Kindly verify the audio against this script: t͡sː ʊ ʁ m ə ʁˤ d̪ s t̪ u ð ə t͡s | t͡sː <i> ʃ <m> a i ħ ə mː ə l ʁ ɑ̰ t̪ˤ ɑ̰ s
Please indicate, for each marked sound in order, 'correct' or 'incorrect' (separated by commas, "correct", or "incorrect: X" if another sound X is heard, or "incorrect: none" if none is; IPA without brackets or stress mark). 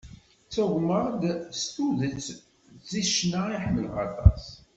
correct, incorrect: n